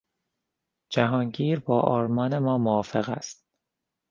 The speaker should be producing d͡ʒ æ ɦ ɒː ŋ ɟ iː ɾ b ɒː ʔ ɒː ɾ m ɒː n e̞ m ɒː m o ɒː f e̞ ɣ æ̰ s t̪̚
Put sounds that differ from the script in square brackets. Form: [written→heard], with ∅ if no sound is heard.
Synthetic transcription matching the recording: d͡ʒ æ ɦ ɒː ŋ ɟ iː ɾ b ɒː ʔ ɒː ɾ m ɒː n e̞ m ɒː m o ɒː f e̞ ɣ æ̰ s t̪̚